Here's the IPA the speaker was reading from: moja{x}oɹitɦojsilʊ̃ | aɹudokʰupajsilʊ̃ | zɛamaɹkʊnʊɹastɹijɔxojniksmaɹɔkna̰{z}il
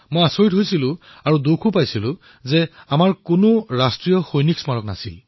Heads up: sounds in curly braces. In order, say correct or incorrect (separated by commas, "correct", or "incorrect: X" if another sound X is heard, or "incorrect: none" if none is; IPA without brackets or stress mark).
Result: incorrect: s, incorrect: s